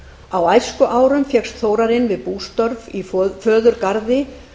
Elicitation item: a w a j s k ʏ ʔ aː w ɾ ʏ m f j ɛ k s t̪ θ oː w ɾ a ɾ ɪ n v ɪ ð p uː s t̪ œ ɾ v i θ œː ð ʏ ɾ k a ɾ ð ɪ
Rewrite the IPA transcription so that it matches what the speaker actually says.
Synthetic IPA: a w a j s k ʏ ʔ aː w ɾ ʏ m f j ɛ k s t̪ θ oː w ɾ a ɾ ɪ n v ɪ ð p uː s t̪ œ ɾ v i f œː ð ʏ ɾ k a ɾ ð ɪ